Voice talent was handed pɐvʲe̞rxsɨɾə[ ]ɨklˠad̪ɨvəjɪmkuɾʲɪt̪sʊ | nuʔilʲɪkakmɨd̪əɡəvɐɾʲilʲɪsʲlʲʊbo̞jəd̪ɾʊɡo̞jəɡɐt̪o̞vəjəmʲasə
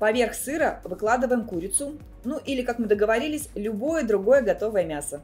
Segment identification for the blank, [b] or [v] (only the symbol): v